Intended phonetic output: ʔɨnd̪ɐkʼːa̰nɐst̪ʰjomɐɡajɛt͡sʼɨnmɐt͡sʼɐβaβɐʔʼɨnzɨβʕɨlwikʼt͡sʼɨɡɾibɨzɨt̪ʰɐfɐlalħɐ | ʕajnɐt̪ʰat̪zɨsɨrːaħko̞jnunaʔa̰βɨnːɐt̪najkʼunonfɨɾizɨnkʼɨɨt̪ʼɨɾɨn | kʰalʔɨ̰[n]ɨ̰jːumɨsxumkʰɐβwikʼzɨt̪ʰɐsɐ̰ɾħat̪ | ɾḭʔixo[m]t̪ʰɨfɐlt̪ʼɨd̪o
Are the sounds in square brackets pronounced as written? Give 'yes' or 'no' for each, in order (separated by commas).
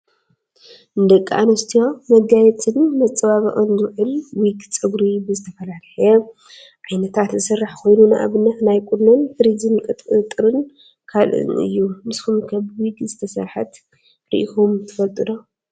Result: yes, yes